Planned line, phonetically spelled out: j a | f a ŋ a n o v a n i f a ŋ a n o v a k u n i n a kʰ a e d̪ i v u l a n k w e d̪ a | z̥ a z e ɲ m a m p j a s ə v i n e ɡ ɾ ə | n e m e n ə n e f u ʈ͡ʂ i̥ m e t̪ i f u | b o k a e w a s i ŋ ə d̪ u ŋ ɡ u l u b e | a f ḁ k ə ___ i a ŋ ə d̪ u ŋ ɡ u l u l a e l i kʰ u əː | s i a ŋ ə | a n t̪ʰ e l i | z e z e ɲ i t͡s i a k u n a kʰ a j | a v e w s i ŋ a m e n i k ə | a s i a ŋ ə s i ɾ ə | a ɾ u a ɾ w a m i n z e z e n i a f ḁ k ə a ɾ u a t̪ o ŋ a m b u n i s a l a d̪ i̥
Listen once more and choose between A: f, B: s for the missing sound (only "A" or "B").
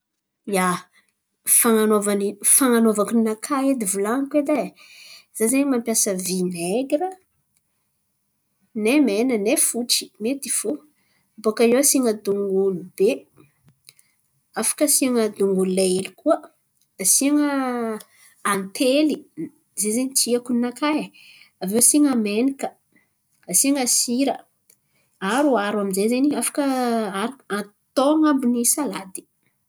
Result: B